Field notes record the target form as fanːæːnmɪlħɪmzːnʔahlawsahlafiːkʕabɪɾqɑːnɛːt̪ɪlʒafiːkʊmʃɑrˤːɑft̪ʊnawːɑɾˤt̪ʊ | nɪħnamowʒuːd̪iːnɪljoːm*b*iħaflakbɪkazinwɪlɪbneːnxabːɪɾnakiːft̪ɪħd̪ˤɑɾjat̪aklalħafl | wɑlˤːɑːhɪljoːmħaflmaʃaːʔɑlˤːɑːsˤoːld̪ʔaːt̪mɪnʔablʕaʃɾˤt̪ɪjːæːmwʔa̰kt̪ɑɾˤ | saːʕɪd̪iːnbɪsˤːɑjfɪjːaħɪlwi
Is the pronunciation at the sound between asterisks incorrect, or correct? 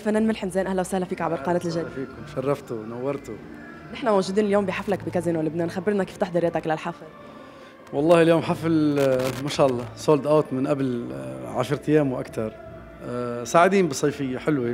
correct